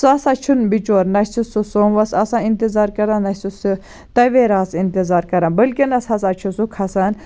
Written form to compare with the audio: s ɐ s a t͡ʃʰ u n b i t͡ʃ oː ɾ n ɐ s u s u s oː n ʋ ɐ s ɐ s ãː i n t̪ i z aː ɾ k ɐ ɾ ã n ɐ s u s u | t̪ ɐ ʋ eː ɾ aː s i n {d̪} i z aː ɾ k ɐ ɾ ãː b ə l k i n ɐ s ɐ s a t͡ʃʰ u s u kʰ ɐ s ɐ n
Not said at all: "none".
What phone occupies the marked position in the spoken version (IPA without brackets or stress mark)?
t̪